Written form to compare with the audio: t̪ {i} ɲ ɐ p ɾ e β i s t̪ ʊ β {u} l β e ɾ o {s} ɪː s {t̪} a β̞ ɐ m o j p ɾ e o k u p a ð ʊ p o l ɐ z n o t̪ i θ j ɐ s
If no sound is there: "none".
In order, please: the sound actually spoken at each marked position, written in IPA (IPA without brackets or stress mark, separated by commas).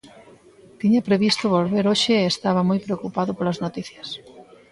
i, o, ʃ, t̪